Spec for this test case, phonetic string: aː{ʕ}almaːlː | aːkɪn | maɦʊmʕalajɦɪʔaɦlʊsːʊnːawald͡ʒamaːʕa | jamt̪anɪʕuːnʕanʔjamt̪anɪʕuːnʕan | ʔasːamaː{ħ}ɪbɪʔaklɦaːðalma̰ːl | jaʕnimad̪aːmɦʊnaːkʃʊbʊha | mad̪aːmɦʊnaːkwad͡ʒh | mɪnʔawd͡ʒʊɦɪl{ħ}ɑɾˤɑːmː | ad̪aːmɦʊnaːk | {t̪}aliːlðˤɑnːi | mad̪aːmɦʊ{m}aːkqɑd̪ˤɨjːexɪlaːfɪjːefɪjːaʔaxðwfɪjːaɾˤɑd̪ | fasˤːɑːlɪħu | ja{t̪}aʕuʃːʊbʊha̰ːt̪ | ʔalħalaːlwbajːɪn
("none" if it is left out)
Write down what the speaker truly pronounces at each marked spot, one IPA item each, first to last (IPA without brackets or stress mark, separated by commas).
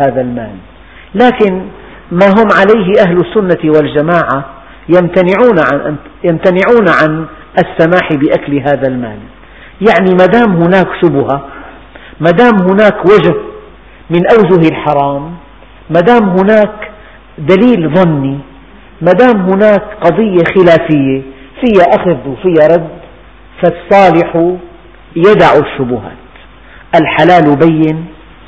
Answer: ð, ħ, ħ, d̪, n, d̪